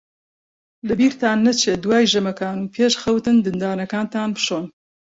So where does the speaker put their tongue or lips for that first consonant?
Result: tongue tip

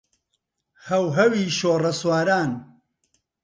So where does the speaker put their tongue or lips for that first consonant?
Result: throat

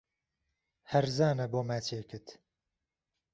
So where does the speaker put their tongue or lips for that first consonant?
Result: throat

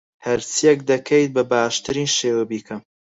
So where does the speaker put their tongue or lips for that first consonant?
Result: throat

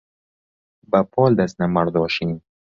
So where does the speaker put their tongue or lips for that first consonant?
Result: lips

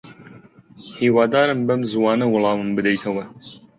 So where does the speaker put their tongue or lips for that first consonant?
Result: throat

